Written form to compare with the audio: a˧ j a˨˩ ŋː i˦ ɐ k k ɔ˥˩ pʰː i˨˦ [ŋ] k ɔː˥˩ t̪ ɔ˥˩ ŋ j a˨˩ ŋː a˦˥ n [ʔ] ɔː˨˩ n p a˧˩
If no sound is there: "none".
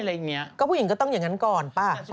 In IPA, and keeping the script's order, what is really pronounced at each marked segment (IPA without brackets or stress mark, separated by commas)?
ŋ, k